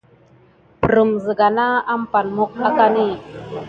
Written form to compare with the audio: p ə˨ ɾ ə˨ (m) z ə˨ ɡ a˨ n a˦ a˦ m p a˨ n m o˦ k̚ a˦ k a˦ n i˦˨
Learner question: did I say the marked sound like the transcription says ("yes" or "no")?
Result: yes